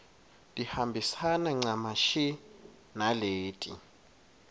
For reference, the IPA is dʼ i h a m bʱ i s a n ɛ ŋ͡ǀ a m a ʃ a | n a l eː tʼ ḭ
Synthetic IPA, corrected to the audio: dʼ i h a m bʱ i s a n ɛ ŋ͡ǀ a m a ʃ i | n a l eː tʼ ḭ